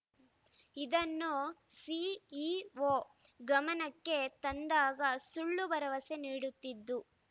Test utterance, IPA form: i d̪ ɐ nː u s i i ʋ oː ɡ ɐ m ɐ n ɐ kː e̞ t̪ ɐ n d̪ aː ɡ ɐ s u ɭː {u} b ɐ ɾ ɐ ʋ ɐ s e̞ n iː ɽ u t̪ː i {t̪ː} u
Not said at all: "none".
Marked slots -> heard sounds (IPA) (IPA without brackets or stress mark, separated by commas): u, d̪ː